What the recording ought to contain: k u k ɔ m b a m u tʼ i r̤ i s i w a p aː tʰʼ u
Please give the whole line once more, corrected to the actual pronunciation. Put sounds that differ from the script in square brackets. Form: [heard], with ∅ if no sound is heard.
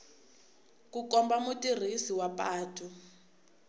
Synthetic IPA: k u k ɔ m b a m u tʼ i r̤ i s i w a p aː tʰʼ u